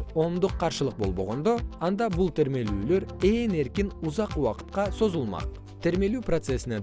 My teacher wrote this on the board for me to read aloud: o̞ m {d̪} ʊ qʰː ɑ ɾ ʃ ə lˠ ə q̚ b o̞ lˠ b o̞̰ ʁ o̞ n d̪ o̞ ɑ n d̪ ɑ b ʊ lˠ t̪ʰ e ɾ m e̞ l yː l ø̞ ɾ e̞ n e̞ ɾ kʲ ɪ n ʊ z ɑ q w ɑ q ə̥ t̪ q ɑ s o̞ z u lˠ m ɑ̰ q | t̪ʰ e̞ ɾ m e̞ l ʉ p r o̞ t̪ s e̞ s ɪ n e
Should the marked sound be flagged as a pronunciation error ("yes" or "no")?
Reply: no